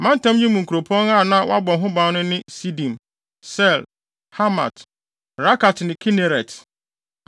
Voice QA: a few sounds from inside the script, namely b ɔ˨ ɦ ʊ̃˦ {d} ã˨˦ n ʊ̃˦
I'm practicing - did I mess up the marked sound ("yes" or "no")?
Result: yes